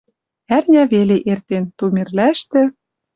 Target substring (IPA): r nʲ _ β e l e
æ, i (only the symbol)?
æ